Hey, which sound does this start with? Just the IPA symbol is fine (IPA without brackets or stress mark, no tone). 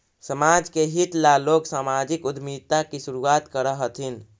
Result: s